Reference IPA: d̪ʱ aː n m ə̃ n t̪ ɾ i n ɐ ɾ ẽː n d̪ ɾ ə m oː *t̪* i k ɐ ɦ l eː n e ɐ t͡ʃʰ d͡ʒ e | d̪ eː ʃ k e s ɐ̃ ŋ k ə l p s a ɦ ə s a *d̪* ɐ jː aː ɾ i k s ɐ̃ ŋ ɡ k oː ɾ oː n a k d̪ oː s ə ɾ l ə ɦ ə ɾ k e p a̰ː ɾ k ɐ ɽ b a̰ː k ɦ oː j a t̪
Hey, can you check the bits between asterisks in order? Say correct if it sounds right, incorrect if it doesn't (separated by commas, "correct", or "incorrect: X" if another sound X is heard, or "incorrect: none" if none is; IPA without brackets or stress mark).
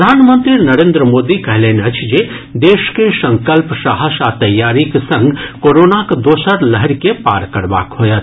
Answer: incorrect: d̪, incorrect: t̪